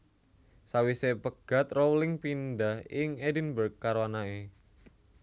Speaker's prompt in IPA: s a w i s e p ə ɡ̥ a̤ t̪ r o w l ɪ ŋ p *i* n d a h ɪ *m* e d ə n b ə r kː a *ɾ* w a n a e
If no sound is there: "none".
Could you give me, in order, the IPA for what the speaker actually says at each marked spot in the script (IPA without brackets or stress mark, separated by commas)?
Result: i, ŋ, ɾ